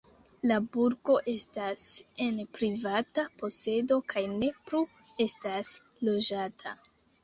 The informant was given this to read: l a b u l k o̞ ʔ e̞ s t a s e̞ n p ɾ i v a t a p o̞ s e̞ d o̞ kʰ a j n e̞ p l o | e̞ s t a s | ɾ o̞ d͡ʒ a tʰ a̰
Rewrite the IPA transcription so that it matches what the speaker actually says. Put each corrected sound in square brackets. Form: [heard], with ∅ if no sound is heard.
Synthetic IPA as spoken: l a b u [ɾ] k o̞ ʔ e̞ s t a s e̞ n p ɾ i v a t a p o̞ s e̞ d o̞ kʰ a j n e̞ p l [u] | e̞ s t a s | [l] o̞ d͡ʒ a tʰ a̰